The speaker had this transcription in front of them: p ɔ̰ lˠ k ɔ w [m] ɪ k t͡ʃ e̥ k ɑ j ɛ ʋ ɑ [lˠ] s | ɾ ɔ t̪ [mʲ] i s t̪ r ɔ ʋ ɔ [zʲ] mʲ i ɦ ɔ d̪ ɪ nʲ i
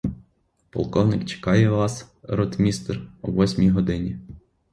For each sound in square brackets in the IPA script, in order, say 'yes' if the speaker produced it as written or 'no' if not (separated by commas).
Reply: no, no, yes, no